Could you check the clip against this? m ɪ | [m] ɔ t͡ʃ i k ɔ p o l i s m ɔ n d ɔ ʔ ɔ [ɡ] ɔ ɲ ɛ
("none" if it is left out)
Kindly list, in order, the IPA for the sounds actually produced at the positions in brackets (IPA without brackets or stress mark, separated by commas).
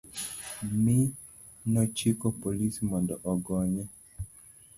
n, ɡ